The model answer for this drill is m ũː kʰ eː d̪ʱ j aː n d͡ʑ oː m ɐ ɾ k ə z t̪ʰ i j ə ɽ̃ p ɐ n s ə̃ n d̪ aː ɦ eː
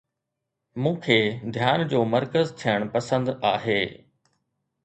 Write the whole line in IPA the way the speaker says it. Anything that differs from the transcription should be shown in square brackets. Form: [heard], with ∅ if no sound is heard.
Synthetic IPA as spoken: m ũː kʰ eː d̪ʱ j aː n d͡ʑ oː m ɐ ɾ k ə z t̪ʰ i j ə ɽ̃ p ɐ [∅] s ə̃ n d̪ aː ɦ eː